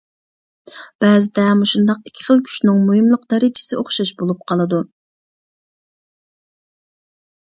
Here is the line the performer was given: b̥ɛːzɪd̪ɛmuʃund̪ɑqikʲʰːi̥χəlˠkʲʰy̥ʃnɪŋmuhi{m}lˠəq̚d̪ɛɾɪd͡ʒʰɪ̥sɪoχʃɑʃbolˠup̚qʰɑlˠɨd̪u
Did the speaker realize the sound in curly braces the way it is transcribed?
yes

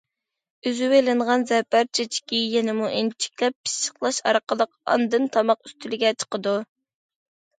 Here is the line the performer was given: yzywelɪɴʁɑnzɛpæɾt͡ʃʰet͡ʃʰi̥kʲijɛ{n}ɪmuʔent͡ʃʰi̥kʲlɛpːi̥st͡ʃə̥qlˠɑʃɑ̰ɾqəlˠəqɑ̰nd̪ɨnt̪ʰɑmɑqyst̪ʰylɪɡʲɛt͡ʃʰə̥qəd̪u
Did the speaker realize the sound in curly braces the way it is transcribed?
yes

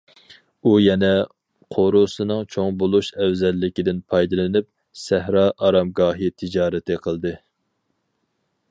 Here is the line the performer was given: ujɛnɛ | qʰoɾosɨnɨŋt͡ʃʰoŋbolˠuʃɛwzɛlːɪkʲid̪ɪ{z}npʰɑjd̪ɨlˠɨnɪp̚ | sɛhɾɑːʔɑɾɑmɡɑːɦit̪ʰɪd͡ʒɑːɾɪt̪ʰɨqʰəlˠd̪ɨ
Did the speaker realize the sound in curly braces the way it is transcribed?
no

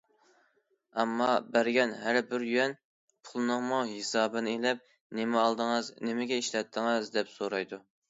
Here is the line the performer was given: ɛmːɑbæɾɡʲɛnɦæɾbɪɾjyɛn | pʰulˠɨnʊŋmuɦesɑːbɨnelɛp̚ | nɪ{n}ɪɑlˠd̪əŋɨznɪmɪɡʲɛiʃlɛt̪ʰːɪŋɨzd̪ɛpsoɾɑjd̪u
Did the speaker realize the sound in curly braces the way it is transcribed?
no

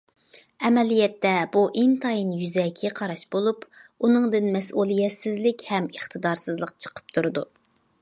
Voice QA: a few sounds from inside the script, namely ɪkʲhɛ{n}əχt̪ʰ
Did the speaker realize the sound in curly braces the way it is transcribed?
no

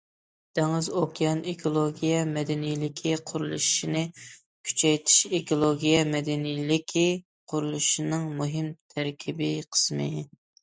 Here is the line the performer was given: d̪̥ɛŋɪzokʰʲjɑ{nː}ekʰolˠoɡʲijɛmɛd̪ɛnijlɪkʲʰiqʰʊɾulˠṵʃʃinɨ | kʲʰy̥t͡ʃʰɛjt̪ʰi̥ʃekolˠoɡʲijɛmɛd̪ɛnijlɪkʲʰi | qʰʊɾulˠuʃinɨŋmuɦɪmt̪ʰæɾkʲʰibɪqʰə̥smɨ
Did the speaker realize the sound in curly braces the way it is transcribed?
no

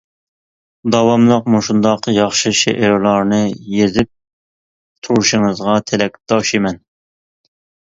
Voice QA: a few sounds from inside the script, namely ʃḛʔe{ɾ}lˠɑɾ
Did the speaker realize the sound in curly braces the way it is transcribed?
yes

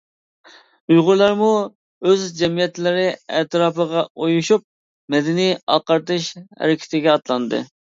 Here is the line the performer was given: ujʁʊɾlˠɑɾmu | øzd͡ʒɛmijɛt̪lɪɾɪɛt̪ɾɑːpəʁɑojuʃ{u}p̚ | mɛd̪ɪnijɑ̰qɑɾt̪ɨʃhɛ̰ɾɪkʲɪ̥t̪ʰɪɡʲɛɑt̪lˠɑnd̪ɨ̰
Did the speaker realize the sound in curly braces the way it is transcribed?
yes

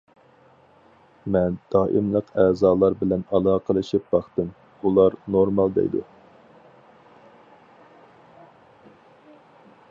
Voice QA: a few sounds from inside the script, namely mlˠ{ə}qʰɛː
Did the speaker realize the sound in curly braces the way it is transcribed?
yes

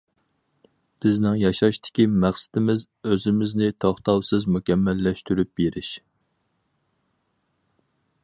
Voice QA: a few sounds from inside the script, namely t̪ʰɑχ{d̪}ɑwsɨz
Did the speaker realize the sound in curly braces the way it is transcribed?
no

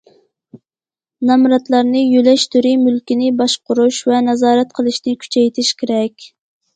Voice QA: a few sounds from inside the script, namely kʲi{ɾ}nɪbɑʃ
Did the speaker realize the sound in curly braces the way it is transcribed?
no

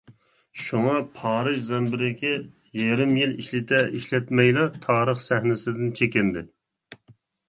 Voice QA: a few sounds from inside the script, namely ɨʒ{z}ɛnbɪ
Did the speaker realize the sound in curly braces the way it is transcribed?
yes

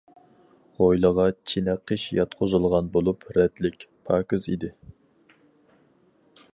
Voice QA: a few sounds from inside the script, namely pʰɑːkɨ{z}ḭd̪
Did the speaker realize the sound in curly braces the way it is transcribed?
yes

